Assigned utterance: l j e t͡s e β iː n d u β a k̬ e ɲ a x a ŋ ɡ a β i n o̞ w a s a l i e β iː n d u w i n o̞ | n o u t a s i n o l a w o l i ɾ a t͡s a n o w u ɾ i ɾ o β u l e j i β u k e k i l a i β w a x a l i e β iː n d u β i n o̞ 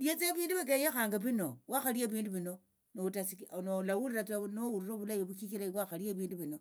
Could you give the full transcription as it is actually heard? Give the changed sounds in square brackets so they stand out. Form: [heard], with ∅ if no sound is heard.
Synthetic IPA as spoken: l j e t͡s e β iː n d u β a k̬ e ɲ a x a ŋ ɡ a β i n o̞ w a [x] a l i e β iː n d u [β] i n o̞ | n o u t a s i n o l a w [u] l i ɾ a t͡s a n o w u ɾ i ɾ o β u l [a] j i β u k [i] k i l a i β w a x a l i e β iː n d u β i n o̞